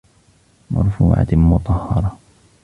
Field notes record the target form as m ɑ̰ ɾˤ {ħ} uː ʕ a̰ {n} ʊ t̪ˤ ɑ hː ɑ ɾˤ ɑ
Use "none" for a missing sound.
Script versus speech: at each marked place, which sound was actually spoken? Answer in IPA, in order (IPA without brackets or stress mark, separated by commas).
f, m